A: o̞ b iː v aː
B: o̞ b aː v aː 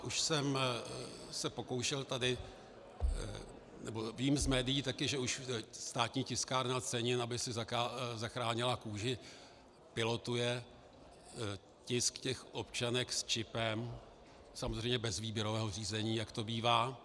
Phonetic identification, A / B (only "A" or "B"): A